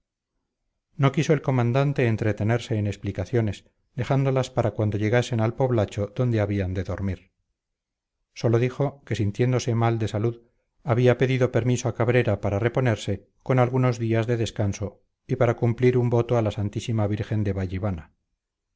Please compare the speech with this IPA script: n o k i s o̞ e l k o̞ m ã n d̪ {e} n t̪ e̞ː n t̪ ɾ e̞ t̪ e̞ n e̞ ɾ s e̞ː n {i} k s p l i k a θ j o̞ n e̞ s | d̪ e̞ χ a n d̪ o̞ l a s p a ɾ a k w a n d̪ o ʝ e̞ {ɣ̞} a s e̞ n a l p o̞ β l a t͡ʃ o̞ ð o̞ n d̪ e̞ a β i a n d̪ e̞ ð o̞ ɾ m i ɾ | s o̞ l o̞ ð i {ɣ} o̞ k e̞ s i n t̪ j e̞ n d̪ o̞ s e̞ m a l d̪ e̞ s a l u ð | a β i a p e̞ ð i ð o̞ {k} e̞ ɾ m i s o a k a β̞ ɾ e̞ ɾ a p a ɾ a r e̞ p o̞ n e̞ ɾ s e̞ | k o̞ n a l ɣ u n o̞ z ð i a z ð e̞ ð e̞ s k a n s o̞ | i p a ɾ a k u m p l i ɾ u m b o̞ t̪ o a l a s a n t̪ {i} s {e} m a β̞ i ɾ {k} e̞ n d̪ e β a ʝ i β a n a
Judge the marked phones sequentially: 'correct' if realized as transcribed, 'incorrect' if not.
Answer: incorrect, incorrect, correct, incorrect, incorrect, correct, incorrect, incorrect

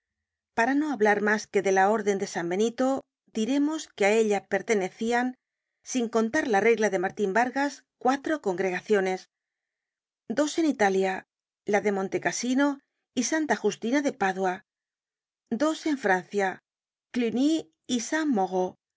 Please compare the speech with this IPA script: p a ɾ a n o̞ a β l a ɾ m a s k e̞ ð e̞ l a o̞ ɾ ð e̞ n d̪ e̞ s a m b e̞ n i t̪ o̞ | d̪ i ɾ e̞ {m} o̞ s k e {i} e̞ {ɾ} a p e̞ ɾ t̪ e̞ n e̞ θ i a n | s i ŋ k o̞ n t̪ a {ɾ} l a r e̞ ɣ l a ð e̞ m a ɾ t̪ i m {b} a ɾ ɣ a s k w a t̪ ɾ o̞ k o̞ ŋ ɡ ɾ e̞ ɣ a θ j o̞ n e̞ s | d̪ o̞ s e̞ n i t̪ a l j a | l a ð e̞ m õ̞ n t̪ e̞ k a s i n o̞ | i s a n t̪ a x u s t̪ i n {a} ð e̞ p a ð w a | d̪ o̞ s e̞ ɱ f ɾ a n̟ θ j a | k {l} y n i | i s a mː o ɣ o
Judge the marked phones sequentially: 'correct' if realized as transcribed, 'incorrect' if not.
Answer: correct, incorrect, incorrect, correct, correct, correct, correct

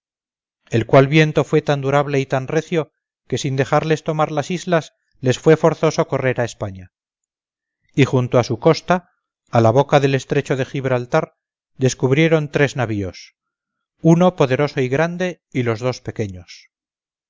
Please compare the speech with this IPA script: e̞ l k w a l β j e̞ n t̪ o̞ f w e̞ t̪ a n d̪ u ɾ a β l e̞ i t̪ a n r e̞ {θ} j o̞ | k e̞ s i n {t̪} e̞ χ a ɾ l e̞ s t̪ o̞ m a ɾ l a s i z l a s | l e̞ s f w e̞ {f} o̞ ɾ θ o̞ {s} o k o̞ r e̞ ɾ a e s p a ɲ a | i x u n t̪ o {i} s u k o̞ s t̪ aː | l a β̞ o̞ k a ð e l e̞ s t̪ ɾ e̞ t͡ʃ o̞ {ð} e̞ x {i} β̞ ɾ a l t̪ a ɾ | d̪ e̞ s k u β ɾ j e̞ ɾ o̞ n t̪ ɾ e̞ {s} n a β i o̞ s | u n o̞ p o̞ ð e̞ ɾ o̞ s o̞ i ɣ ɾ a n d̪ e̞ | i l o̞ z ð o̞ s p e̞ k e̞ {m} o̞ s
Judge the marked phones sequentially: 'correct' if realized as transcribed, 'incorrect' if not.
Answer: correct, incorrect, correct, correct, incorrect, correct, correct, incorrect, incorrect

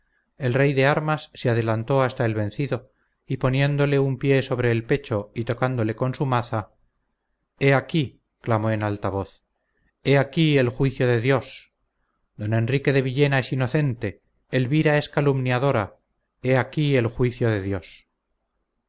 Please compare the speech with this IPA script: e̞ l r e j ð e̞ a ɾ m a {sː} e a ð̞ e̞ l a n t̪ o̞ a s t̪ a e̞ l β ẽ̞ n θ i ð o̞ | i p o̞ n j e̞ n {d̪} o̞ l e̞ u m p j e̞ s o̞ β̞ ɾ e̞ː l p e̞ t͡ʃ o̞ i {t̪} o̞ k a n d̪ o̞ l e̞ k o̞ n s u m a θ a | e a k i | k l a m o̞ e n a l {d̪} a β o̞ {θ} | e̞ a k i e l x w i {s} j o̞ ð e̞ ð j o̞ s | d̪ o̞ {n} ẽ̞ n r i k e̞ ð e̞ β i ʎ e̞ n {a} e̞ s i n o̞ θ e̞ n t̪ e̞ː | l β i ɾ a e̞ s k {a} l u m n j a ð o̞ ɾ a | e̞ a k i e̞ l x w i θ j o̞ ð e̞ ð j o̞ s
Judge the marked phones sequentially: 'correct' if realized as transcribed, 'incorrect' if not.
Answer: correct, correct, correct, incorrect, correct, incorrect, correct, correct, correct

